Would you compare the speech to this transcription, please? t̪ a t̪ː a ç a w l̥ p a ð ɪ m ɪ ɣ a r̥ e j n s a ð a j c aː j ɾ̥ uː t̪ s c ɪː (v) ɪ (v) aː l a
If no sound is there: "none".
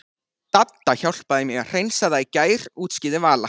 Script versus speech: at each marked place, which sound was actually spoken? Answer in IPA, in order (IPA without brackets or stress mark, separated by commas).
ð, v